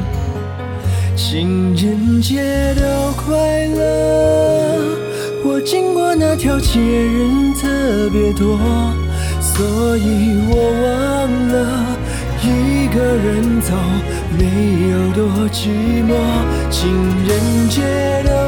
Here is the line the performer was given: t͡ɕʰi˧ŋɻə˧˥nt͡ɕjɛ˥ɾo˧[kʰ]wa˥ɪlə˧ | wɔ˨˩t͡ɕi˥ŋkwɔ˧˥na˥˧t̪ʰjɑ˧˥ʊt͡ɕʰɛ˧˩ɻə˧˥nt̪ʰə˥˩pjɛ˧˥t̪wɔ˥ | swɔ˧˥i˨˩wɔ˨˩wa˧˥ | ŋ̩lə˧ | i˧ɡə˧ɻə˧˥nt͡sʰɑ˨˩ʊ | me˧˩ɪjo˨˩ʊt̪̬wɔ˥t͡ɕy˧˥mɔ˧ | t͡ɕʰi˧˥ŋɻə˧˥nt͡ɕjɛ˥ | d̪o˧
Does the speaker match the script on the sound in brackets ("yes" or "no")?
yes